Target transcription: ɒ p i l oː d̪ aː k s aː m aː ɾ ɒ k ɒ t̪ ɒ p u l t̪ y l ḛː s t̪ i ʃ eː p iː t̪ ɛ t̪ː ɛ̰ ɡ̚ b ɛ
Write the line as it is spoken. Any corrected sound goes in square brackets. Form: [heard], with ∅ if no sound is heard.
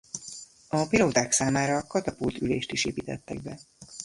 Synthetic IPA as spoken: ɒ p i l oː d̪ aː k s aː m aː ɾ ɒ k ɒ t̪ ɒ p u l t̪ y l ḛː [ʃ] t̪ i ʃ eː p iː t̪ ɛ t̪ː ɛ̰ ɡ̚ b ɛ